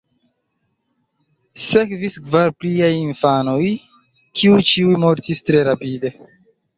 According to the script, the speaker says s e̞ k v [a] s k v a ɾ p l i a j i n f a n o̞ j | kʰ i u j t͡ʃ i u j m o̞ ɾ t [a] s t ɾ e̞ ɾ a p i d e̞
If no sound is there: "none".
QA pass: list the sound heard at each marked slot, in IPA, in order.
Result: i, i

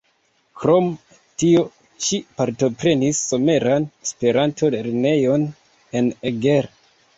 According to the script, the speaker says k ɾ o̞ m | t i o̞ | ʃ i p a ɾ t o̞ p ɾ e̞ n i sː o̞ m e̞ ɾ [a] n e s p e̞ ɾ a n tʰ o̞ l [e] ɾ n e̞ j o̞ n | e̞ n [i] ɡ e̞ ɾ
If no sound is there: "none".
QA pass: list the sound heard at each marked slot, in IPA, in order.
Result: a, e, e

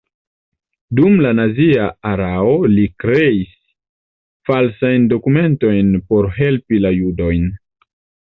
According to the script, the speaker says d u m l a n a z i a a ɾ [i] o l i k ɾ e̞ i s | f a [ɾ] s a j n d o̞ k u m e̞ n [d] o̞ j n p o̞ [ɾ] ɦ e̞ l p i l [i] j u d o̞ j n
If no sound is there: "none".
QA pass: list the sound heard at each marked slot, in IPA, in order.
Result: a, l, t, ɾ, a

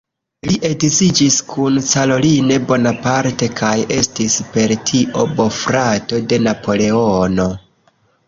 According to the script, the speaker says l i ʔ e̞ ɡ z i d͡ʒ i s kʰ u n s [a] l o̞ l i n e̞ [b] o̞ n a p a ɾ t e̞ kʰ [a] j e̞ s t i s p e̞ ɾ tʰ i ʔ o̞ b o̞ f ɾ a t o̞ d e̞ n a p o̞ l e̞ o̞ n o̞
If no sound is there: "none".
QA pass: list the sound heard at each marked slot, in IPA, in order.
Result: a, b, a

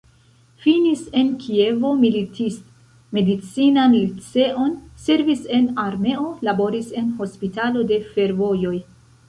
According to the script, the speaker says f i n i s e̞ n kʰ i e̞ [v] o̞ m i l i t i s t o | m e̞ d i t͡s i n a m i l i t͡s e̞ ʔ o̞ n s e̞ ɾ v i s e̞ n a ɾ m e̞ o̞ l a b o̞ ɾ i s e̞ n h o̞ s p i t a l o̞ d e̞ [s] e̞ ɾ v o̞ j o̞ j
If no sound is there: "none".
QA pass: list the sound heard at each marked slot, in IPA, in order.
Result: v, f

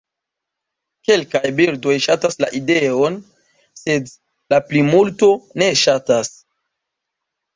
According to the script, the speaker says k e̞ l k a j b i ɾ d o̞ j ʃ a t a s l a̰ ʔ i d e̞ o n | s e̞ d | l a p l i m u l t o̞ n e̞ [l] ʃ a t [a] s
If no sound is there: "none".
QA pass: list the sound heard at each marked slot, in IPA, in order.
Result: none, a

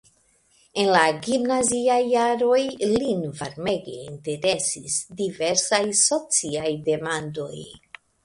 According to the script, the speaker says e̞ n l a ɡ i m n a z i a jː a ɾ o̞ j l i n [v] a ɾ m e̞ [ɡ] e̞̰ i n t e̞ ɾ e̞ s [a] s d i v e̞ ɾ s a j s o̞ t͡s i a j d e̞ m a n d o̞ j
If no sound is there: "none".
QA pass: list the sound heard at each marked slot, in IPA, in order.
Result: v, ɡ, i

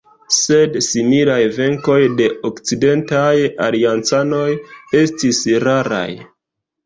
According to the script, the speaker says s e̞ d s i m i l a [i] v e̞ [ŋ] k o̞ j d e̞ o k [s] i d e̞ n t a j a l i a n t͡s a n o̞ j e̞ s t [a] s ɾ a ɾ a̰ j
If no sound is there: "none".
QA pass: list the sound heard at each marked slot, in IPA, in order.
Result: j, ŋ, t͡s, i

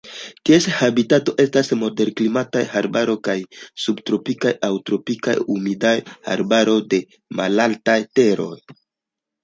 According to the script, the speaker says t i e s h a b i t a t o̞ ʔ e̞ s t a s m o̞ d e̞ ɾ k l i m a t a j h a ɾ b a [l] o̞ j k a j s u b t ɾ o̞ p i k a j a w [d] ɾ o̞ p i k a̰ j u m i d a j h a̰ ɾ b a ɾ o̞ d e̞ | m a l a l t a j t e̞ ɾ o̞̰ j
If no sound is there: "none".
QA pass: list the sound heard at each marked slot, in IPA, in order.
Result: ɾ, t

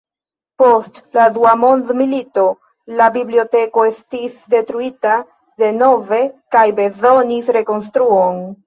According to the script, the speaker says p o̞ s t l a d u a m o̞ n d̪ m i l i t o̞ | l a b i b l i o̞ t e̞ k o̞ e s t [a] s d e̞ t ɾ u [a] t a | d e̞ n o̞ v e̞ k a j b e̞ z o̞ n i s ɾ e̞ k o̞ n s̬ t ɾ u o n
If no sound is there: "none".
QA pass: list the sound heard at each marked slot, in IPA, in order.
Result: i, i

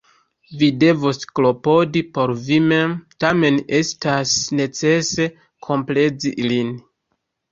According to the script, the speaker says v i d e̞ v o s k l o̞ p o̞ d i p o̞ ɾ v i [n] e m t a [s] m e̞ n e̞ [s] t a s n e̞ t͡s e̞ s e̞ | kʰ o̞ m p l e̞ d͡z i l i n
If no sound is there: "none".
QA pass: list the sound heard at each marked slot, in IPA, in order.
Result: m, none, s

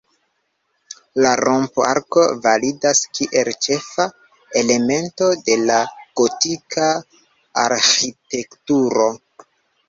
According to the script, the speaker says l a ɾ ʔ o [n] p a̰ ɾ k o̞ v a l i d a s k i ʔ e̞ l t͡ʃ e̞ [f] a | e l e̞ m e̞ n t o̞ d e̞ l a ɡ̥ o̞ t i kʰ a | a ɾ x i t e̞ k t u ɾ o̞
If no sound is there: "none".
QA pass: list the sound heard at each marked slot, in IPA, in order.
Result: m, f

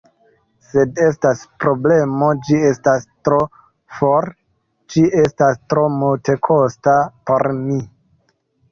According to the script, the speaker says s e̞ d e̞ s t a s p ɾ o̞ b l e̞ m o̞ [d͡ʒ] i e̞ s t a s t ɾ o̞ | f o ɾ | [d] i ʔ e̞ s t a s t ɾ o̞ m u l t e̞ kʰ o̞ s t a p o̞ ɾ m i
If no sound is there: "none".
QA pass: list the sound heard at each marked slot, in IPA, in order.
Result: d͡ʒ, d͡ʒ

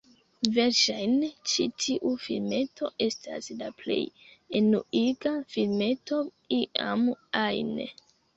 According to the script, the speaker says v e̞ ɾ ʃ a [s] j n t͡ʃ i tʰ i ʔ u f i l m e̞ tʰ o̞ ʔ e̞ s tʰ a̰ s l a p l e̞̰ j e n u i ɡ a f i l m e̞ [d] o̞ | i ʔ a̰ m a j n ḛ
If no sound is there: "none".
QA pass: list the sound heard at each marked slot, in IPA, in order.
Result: none, t

